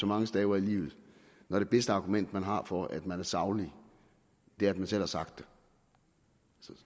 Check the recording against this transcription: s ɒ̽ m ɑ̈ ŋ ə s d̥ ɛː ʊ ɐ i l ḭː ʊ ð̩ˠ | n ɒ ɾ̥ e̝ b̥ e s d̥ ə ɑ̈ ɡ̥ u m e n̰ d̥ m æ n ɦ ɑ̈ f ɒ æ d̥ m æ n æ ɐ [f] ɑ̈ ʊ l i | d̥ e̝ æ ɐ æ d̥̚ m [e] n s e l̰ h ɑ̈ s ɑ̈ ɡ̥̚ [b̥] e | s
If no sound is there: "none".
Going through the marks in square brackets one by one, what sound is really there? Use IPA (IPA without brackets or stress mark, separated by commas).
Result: s, æ, d̥